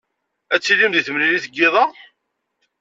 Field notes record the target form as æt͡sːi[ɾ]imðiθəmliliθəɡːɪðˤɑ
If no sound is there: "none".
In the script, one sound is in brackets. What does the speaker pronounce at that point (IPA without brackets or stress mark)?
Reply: l